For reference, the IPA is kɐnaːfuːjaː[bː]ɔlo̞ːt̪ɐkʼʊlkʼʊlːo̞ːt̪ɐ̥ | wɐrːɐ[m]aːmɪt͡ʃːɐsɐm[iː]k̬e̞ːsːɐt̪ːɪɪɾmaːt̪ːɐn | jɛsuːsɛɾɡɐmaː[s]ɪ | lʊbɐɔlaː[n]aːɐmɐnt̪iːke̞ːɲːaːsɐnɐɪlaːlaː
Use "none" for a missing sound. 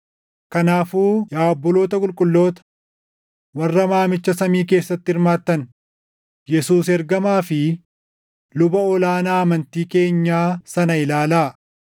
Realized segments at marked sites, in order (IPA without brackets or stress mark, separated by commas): bː, m, iː, f, n